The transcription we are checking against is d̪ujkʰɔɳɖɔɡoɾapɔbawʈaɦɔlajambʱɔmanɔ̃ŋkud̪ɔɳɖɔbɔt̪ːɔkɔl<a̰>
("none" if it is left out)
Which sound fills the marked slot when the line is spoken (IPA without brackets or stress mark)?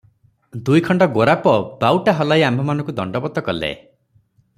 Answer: ḛ